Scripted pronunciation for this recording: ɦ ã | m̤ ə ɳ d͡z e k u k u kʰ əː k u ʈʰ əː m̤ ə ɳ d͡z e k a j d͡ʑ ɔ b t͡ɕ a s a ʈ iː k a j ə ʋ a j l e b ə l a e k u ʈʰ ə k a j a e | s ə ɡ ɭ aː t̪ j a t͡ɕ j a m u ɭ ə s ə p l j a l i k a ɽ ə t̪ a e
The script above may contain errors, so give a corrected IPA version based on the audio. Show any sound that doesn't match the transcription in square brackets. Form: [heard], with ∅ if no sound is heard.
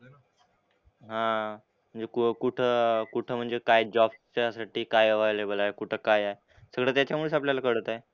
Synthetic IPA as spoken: ɦ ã | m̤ ə ɳ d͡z e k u k u [ʈʰ] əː k u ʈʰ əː m̤ ə ɳ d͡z e k a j d͡ʑ ɔ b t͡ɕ a s a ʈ iː k a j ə ʋ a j l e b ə l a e k u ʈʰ ə k a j a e | s ə ɡ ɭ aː t̪ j a t͡ɕ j a m u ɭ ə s [a] p l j a l [a] k [ə] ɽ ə t̪ a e